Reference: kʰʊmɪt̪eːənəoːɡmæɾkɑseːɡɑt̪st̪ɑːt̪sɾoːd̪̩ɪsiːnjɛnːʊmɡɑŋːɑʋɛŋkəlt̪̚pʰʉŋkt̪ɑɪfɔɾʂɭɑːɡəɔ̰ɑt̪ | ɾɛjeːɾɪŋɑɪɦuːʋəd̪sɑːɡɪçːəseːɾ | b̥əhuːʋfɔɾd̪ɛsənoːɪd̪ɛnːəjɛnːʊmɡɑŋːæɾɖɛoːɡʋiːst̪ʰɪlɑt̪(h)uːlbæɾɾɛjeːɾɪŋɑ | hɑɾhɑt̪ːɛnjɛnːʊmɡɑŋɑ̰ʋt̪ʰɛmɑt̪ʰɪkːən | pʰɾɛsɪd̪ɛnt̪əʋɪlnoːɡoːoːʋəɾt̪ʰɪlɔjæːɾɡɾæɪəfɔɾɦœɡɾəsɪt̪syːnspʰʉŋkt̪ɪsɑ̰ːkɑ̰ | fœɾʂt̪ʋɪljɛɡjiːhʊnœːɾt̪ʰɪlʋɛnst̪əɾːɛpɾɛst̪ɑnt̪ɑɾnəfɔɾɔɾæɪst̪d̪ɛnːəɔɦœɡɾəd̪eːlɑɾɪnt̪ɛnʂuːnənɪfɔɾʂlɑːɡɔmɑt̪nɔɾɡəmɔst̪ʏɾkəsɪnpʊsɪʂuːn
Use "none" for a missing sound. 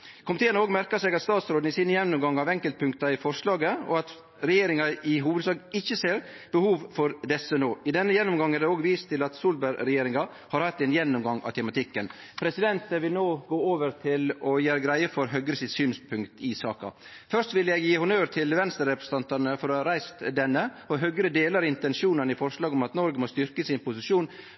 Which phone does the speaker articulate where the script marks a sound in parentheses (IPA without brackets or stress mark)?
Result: s